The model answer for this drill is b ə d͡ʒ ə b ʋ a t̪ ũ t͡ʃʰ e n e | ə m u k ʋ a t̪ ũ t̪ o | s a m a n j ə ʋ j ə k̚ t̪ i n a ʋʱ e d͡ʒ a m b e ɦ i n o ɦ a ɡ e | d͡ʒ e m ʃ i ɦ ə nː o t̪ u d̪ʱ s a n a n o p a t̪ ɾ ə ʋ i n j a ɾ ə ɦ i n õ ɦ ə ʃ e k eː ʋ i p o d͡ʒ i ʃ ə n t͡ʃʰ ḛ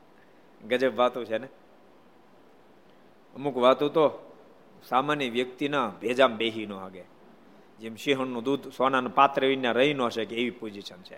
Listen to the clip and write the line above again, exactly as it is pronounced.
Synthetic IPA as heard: ɡ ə d͡ʒ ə b ʋ a t̪ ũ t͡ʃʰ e n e | ə m u k ʋ a t̪ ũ t̪ o | s a m a n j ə ʋ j ə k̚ t̪ i n a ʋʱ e d͡ʒ a m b e ɦ i n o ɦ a ɡ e | d͡ʒ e m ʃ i ɦ ə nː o d̪ u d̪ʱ s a n a n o p a t̪ ɾ ə ʋ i n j a ɾ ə ɦ i n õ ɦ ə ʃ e k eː ʋ i p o d͡ʒ i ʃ ə n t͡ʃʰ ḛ